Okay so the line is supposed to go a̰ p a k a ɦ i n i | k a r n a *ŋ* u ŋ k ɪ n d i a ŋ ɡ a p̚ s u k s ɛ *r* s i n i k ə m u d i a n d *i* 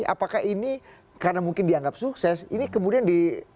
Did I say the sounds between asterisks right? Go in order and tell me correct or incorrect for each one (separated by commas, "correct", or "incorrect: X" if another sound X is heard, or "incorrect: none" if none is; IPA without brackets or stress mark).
incorrect: m, incorrect: none, correct